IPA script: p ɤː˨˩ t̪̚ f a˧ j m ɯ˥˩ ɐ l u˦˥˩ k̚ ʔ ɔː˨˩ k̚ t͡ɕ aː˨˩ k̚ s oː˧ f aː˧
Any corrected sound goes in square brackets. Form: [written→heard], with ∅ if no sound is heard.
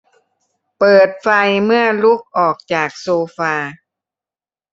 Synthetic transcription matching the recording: p ɤː˨˩ t̪̚ f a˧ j m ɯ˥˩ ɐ l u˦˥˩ k̚ ʔ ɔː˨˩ k̚ t͡ɕ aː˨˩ k̚ s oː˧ f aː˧